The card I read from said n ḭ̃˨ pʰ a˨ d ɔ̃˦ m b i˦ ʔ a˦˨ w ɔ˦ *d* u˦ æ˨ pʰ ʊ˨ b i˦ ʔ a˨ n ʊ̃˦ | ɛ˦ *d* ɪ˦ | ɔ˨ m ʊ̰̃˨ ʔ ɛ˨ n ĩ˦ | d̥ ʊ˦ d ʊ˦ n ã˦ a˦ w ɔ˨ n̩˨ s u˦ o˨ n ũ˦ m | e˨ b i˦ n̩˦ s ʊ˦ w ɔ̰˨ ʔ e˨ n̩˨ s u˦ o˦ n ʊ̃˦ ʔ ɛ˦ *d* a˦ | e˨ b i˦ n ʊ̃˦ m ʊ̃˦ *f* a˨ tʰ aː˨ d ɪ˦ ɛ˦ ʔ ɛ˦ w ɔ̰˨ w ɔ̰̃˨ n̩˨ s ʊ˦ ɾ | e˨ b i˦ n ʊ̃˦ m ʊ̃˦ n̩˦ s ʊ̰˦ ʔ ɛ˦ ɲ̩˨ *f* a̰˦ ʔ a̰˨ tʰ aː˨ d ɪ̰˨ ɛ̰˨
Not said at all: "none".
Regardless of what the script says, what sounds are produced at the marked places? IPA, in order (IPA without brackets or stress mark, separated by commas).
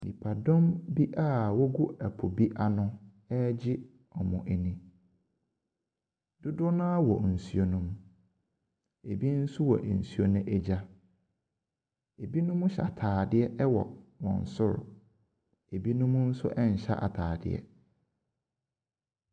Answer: ɡ, d͡ʑ, d͡ʑ, ɕ, ɕ